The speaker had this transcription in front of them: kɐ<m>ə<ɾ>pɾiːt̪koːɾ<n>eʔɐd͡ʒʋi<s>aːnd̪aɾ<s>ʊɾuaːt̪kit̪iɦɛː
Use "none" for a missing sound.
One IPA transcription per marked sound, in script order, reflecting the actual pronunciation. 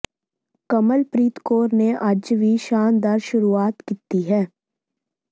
m, l, n, ʃ, ʃ

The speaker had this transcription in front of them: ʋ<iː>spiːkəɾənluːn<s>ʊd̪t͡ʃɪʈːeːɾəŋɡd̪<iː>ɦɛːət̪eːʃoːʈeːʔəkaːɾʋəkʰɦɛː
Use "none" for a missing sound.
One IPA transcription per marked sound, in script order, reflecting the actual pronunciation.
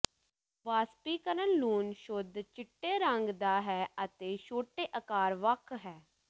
aː, ʃ, aː

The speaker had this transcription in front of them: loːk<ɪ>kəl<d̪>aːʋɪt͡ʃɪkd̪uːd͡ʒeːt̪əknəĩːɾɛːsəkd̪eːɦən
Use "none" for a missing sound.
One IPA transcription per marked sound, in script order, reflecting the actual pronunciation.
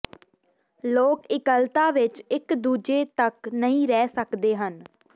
ɪ, t̪

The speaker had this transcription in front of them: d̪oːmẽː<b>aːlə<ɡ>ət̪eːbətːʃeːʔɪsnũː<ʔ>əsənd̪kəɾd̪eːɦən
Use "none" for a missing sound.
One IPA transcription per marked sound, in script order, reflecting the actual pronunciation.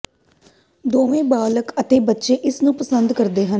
b, k, p

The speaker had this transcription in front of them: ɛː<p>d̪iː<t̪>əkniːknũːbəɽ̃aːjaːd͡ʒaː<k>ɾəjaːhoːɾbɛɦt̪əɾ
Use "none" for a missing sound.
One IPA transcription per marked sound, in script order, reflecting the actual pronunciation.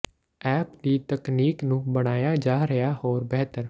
p, t̪, none

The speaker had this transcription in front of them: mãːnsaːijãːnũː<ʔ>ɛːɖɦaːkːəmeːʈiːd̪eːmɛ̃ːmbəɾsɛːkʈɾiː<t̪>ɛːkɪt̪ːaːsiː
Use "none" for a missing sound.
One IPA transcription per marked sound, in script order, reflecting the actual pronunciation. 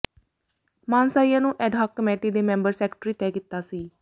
ʔ, t̪

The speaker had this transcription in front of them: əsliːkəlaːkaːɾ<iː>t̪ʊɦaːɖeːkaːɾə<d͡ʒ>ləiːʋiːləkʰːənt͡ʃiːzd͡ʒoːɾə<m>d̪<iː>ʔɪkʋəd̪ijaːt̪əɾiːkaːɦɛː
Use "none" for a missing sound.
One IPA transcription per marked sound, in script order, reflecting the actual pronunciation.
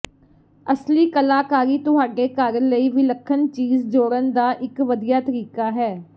iː, none, n, aː

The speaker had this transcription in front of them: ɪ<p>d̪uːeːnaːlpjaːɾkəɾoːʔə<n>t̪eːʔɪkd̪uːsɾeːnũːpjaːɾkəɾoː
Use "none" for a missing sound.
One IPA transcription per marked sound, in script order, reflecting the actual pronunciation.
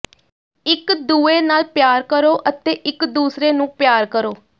k, none

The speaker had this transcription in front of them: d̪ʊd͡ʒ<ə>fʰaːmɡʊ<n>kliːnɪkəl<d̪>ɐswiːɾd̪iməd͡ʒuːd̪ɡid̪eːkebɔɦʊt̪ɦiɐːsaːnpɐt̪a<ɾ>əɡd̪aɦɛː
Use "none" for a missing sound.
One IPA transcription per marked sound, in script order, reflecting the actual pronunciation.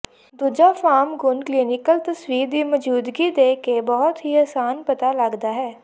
a, n, t̪, l

